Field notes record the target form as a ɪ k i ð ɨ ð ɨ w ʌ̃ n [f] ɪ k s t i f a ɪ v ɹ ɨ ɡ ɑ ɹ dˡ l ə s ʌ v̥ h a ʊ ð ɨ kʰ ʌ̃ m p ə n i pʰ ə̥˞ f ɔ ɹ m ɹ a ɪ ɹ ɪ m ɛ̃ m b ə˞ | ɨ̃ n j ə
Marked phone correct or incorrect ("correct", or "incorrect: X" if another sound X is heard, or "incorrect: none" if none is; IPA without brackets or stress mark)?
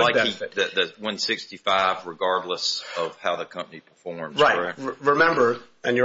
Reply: incorrect: s